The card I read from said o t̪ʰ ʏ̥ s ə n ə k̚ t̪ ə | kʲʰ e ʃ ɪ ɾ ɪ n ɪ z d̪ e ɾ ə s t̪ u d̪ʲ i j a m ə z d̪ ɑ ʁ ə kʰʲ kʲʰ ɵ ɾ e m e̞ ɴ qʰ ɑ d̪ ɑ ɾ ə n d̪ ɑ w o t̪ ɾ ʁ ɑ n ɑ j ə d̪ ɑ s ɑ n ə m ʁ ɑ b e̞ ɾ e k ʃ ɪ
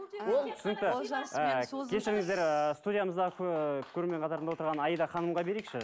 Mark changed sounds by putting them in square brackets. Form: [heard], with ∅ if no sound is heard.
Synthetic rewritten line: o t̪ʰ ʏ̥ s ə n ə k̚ t̪ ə | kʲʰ e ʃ ɪ ɾ ɪ [ŋ] ɪ z d̪ e ɾ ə s t̪ u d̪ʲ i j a m ə z d̪ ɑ ʁ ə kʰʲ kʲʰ ɵ ɾ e m e̞ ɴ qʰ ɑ [t̪] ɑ ɾ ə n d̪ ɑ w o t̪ ɾ ʁ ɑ n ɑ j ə d̪ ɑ [χ] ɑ n ə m ʁ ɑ b e̞ ɾ e k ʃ ɪ